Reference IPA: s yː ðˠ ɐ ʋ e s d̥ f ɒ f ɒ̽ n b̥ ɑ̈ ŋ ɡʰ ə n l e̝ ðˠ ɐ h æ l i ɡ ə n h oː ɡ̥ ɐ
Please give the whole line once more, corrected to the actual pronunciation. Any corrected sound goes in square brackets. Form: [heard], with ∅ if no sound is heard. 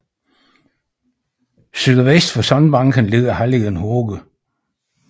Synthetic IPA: s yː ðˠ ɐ ʋ e s d̥ f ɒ [s] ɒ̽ n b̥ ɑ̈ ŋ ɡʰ ə n l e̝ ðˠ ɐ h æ l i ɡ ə n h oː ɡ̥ [ə]